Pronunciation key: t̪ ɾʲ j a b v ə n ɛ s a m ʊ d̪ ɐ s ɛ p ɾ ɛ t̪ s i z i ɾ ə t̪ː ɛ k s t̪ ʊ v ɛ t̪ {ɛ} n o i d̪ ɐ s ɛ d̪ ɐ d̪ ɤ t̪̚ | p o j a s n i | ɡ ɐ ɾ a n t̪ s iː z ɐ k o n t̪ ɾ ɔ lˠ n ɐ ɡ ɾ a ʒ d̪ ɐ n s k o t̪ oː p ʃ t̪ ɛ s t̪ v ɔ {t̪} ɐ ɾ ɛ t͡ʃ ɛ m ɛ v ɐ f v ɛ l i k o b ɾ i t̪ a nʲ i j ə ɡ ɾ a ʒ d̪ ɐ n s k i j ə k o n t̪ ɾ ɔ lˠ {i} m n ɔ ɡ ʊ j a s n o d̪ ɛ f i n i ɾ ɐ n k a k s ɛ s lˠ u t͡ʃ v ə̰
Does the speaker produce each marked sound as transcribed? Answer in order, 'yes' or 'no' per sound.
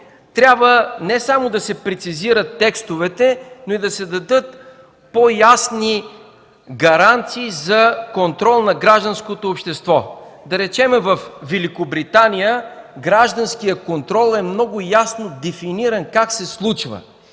yes, no, no

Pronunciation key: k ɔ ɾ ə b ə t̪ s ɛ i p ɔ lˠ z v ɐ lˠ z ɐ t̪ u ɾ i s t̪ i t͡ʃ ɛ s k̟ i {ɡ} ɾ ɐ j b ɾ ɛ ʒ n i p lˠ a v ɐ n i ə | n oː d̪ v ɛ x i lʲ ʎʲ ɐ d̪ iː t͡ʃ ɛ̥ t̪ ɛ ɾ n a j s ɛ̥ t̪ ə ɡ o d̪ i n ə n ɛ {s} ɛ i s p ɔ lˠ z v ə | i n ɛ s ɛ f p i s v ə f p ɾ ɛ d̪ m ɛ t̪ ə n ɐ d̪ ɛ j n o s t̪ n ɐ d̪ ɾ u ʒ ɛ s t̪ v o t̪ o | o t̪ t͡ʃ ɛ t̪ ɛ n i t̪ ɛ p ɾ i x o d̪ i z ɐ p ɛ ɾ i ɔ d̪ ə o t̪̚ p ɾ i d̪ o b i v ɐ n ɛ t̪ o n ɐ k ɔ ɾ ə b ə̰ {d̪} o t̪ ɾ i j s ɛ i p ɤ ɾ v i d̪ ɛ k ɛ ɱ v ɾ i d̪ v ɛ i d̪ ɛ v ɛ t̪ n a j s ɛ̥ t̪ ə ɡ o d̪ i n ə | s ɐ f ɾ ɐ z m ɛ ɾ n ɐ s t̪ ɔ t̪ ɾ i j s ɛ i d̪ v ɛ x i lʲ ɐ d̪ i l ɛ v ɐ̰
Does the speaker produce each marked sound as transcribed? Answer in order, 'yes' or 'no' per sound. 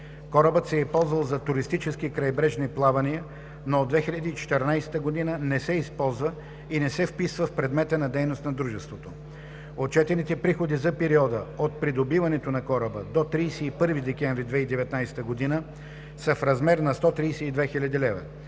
no, yes, yes

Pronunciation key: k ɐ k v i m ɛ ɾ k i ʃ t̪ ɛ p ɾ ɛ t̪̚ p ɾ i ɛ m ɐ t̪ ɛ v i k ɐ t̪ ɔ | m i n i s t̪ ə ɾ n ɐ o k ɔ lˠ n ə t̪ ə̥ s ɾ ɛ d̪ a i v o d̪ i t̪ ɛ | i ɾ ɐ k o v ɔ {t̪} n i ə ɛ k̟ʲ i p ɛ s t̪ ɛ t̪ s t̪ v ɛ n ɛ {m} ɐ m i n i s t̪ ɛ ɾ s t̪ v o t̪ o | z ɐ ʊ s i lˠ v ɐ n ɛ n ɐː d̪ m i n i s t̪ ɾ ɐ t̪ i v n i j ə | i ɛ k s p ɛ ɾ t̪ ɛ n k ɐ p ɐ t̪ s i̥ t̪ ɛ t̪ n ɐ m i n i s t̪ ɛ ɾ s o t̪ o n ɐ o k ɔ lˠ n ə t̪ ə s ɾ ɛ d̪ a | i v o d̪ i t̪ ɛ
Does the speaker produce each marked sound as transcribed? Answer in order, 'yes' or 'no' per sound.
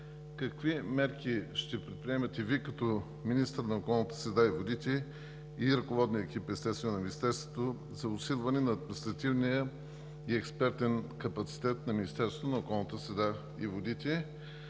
no, no

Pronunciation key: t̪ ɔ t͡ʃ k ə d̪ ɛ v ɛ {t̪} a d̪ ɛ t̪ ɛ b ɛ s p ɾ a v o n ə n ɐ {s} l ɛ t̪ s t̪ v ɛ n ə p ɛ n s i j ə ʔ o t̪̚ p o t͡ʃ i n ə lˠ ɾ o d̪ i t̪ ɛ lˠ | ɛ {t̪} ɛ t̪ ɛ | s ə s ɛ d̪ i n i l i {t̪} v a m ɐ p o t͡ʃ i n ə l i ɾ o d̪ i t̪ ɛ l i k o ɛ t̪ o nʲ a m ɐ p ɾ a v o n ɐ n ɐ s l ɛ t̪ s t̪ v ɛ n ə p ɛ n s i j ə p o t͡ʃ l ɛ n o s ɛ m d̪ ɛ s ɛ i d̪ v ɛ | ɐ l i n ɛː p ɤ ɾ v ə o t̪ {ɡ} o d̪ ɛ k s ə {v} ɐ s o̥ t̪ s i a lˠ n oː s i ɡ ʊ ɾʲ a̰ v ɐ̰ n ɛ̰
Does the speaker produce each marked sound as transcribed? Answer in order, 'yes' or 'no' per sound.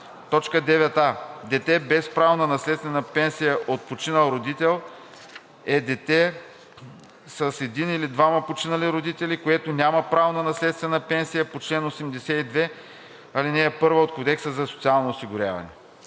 yes, yes, no, no, no, no

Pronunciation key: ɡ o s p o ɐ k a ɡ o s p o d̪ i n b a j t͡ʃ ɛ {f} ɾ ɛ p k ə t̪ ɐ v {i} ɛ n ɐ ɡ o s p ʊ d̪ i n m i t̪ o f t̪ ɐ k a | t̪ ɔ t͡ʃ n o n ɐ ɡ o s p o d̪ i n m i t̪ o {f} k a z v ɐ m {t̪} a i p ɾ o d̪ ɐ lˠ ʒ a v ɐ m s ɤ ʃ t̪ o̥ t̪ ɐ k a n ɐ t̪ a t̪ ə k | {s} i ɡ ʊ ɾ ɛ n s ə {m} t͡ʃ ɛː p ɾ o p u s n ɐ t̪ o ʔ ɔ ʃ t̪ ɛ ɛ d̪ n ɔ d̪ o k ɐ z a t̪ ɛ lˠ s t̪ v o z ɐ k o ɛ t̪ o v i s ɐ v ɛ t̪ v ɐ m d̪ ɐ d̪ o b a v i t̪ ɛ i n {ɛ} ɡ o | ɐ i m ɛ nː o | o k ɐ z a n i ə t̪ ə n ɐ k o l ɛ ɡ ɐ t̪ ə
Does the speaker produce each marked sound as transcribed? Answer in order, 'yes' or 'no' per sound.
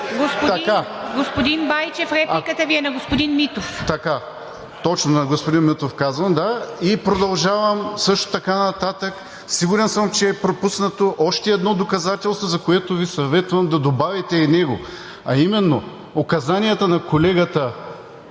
yes, yes, yes, no, yes, yes, yes

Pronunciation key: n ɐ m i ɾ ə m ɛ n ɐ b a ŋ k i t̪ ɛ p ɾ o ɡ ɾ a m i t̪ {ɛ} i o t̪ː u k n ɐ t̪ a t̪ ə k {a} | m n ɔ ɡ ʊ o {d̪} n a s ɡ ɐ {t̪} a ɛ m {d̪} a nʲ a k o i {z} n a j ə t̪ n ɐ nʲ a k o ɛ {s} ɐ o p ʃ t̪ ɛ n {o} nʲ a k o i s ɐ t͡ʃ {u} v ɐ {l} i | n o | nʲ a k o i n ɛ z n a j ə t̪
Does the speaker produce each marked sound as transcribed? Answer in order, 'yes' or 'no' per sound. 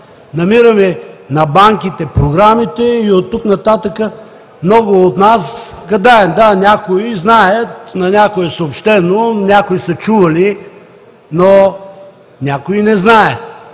yes, no, no, no, yes, yes, yes, yes, yes, yes

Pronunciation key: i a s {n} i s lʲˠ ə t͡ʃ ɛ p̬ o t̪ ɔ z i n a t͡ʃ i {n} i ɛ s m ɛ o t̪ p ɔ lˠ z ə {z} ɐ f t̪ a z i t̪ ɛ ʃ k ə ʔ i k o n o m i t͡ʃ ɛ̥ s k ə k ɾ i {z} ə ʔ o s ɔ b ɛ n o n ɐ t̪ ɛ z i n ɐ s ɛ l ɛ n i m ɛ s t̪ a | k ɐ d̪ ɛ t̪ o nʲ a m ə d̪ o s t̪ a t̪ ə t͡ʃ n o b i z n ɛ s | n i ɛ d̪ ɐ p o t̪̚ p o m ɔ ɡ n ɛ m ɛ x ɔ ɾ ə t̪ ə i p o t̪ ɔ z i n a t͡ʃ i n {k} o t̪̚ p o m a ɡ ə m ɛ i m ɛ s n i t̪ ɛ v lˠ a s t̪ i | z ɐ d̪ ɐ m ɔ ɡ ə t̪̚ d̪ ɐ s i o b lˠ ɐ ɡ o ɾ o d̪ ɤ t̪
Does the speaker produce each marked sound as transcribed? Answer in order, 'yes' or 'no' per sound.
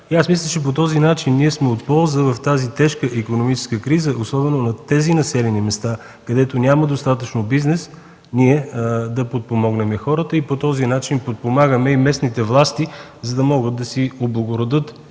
no, no, no, yes, no

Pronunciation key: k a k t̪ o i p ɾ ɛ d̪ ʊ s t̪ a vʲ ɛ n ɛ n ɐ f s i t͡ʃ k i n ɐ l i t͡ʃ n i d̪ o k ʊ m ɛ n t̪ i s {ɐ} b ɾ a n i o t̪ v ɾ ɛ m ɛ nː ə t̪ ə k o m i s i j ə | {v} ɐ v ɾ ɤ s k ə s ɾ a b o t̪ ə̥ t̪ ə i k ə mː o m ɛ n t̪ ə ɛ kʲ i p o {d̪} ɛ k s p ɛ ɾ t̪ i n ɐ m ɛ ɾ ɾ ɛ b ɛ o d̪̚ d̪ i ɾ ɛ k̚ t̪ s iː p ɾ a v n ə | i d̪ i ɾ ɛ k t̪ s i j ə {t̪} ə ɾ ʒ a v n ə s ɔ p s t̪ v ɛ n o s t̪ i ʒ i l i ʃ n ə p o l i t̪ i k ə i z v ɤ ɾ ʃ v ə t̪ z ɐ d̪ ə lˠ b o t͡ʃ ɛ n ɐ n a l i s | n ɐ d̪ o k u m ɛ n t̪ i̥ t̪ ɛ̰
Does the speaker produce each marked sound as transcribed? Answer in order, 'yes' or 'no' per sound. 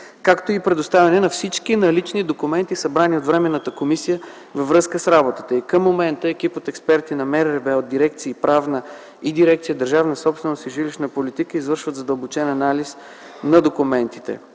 yes, yes, no, no

